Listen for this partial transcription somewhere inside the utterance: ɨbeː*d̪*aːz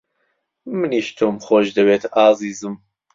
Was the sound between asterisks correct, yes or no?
no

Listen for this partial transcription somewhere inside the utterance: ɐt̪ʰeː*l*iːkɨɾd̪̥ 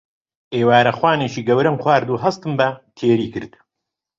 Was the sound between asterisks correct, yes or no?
no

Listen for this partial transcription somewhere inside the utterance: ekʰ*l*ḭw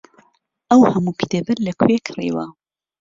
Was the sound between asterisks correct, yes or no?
no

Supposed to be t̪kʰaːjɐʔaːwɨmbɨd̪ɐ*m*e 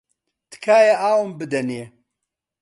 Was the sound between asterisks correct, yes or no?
no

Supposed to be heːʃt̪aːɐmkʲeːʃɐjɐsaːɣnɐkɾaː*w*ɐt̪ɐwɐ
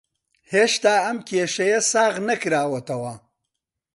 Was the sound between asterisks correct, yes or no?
yes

